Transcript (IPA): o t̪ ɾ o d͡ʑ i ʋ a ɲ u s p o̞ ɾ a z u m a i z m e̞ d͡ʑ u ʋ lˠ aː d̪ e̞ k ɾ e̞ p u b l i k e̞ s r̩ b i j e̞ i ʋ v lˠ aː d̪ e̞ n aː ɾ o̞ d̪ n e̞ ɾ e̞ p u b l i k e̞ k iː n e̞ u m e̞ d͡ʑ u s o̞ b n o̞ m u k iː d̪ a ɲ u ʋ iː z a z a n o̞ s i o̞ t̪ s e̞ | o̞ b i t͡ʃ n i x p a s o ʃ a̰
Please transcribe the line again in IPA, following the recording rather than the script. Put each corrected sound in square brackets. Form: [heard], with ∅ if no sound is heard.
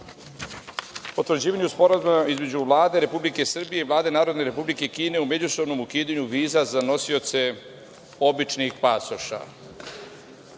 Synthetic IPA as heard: o t̪ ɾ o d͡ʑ [iː] ʋ a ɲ u s p o̞ ɾ a z u m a i z m e̞ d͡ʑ u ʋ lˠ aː d̪ e̞ [∅] ɾ e̞ p u b l i k e̞ s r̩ b i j e̞ i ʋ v lˠ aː d̪ e̞ n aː ɾ o̞ d̪ n e̞ ɾ e̞ p u b l i k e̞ k iː n e̞ u m e̞ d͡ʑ u s o̞ b n o̞ m u k iː d̪ a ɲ u ʋ iː z a z a n o̞ s i o̞ t̪ s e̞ | o̞ b i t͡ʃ n i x p a s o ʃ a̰